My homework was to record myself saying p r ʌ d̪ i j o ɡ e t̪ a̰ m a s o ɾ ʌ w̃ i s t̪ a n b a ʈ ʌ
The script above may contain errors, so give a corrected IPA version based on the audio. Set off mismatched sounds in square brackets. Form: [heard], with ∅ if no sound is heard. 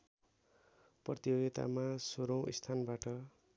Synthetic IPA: p r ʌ [t̪] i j o ɡ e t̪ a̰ m a s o ɾ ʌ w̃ i s [t̪ʰ] a n b a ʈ ʌ